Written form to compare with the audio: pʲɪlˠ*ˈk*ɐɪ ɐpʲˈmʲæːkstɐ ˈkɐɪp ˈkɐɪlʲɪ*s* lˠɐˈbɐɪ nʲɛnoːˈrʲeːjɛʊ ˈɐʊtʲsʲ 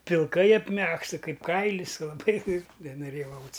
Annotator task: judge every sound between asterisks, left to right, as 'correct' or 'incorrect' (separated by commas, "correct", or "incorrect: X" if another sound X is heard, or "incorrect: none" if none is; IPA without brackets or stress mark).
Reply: correct, correct